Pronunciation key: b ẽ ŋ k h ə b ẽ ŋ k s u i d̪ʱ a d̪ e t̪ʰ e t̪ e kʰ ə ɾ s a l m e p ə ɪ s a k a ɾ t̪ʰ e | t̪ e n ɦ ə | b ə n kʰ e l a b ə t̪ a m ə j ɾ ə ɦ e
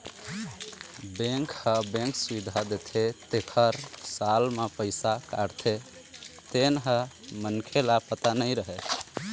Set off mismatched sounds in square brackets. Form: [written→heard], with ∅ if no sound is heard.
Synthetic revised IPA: b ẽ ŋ k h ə b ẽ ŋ k s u i d̪ʱ a d̪ e t̪ʰ e t̪ e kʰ ə ɾ s a l m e p ə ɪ s a k a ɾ t̪ʰ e | t̪ e n ɦ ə | [b→m] ə n kʰ e l a [b→p] ə t̪ a [m→n] ə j ɾ ə ɦ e